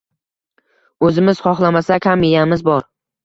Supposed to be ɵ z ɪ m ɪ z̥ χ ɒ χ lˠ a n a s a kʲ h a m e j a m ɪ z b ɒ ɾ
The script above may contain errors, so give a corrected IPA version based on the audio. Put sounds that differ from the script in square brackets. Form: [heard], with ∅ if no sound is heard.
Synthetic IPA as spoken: ɵ z ɪ m ɪ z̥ χ ɒ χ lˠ a [m] a s a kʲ h a m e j a m ɪ z b ɒ ɾ